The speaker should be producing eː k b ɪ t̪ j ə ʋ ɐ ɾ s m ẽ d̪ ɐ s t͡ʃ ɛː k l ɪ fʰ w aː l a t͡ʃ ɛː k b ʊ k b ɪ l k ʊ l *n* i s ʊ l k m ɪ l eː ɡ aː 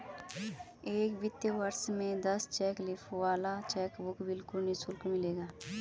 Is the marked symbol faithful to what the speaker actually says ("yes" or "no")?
yes